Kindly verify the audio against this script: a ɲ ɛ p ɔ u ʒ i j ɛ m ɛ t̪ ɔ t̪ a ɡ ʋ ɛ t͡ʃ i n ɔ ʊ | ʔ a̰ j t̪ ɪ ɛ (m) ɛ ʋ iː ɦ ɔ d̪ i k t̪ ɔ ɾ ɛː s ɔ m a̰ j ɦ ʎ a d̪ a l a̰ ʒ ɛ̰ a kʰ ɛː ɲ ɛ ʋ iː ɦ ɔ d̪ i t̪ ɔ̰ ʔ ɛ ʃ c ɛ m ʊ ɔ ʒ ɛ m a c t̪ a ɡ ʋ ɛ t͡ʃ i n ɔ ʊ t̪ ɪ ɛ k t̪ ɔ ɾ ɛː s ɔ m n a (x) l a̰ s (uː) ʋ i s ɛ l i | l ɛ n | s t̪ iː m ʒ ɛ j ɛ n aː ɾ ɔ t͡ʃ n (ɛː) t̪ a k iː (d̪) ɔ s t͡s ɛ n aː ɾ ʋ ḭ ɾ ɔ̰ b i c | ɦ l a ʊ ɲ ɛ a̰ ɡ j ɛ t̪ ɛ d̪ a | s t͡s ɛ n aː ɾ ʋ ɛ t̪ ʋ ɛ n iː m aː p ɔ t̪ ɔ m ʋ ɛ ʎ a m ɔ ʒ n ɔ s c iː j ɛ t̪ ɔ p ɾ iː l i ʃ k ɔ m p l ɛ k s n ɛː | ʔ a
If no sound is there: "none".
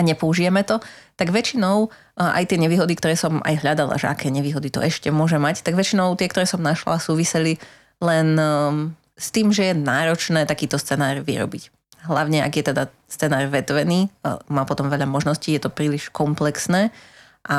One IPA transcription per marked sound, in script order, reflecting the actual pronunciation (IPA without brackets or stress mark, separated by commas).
ɲ, ʃ, uː, ɛː, t̪